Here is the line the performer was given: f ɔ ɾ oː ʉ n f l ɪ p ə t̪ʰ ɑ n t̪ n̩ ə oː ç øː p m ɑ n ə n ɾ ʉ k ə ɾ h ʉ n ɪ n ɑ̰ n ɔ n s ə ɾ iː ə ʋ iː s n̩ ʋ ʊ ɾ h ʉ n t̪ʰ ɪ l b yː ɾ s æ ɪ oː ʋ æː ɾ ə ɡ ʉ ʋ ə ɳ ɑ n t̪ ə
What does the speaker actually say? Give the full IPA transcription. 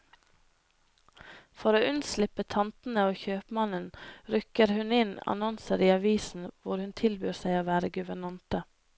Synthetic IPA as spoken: f ɔ ɾ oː ʉ n s l ɪ p ə t̪ʰ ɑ n t̪ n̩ ə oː ç øː p m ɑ n ə n ɾ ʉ k ə ɾ h ʉ n ɪ n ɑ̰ n ɔ n s ə ɾ iː ɑ ʋ iː s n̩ ʋ ʊ ɾ h ʉ n t̪ʰ ɪ l b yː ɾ s æ ɪ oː ʋ æː ɾ ə ɡ ʉ ʋ ə ɳ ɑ n t̪ ə